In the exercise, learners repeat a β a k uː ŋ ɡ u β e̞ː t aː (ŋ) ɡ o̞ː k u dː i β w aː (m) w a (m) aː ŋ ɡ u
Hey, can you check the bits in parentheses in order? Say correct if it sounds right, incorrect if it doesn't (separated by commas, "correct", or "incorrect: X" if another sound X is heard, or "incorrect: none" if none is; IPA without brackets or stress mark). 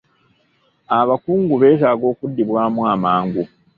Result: incorrect: none, correct, correct